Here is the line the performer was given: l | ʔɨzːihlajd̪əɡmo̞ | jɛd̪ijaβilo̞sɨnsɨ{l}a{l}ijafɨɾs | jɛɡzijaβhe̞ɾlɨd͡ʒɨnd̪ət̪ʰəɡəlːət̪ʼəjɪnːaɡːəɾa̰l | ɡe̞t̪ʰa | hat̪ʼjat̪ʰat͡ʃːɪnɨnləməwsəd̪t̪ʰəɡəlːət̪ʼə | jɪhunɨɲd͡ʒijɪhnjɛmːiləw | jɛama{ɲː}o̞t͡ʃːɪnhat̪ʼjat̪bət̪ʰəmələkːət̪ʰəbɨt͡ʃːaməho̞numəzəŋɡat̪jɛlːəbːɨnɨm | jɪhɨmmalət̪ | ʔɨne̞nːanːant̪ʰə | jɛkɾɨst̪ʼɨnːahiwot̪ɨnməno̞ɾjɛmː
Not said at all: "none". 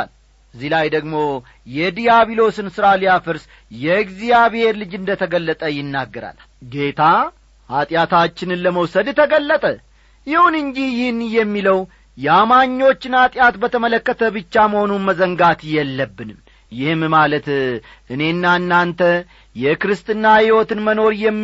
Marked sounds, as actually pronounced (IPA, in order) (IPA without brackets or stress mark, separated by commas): ɾ, l, ɲː